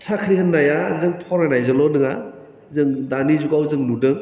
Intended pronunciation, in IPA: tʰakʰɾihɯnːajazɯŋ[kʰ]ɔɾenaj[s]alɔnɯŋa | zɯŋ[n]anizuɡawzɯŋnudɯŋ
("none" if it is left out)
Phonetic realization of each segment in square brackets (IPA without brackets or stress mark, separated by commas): pʰ, z, d